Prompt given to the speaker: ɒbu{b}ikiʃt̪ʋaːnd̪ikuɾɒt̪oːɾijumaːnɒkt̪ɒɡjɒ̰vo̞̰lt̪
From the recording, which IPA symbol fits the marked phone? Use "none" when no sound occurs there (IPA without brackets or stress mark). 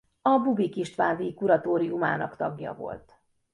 b